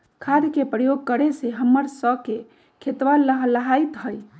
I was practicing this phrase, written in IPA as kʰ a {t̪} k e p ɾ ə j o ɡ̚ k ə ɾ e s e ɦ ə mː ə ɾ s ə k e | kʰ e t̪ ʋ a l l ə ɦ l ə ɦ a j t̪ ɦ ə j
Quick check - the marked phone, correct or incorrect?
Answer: incorrect